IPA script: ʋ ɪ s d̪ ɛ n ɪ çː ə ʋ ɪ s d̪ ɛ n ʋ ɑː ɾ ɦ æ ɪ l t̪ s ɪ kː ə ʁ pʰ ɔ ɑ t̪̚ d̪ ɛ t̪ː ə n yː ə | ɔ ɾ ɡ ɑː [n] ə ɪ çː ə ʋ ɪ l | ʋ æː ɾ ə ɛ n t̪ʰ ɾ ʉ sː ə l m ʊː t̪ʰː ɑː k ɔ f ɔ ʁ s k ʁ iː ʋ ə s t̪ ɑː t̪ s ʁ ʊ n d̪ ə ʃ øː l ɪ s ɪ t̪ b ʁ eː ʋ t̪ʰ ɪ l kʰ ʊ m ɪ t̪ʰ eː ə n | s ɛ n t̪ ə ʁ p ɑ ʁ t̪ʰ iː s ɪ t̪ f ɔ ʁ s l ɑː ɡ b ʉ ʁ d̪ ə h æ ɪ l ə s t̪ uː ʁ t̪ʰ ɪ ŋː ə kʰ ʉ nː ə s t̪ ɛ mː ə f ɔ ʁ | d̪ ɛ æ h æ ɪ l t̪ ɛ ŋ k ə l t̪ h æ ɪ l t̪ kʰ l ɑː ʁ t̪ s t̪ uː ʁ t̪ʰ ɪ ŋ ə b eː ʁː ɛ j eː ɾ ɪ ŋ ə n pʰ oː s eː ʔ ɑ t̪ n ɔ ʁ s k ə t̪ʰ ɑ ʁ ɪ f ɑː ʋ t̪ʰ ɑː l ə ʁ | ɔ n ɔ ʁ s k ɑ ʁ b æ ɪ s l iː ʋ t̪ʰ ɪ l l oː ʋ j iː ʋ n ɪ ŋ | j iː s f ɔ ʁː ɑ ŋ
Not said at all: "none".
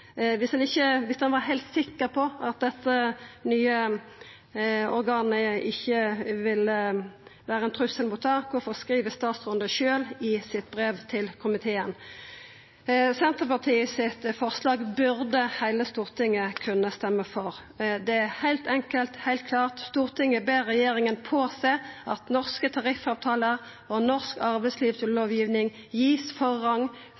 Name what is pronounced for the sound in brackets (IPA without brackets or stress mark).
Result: n